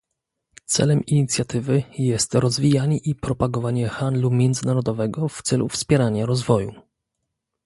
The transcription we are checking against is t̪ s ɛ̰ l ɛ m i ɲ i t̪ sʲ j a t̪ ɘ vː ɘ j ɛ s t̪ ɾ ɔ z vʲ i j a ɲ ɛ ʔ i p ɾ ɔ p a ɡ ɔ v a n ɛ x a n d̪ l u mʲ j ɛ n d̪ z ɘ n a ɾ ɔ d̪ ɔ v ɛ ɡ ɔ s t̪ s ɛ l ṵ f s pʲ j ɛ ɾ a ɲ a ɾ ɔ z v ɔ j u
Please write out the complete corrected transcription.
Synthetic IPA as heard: t̪ s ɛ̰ l ɛ m i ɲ i t̪ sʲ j a t̪ ɘ v ɘ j ɛ s t̪ ɾ ɔ z vʲ i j a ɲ ɛ ʔ i p ɾ ɔ p a ɡ ɔ v a ɲ ɛ x a n d̪ l u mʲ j ɛ n d̪ z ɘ n a ɾ ɔ d̪ ɔ v ɛ ɡ ɔ f t̪ s ɛ l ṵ f s pʲ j ɛ ɾ a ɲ a ɾ ɔ z v ɔ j u